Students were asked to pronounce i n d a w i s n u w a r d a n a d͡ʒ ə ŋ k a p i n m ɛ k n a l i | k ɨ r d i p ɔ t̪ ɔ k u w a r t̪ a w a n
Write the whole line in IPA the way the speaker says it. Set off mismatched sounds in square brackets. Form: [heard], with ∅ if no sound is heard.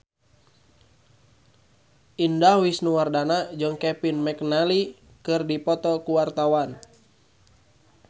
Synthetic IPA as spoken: i n d a w i s n u w a r d a n a d͡ʒ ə ŋ k [ɛ] p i n m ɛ k n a l i | k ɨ r d i p ɔ t̪ ɔ k u w a r t̪ a w a n